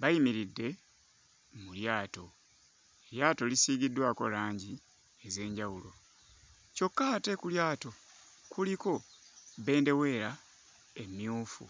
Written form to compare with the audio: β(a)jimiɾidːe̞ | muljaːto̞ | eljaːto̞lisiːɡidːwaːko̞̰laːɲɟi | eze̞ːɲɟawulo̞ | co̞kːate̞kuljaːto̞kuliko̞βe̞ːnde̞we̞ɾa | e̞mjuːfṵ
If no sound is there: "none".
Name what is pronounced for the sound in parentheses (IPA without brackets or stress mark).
a